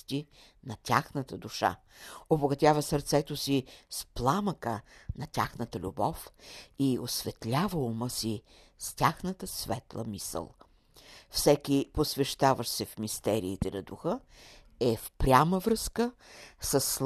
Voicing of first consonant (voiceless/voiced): voiceless